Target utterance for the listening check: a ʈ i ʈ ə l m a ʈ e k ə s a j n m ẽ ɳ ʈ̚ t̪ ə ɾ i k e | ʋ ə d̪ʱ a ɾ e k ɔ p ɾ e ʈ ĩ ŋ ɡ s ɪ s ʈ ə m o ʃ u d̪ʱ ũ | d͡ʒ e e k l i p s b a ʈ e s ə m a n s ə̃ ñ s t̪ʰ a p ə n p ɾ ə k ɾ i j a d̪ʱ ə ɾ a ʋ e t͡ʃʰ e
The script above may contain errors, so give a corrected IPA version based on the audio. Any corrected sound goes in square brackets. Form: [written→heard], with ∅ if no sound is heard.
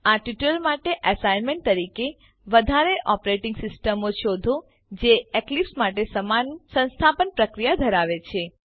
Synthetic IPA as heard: a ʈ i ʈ ə l m a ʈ e [k→ʔ] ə s a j n m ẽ ɳ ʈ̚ t̪ ə ɾ i k e | ʋ ə d̪ʱ a ɾ e [k→ʔ] ɔ p ɾ e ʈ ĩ ŋ ɡ s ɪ s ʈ ə m o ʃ [u→o] d̪ʱ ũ | d͡ʒ e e k l i p s [b→m] a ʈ e s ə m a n s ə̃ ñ s t̪ʰ a p ə n p ɾ ə k ɾ i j a d̪ʱ ə ɾ a ʋ e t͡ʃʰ e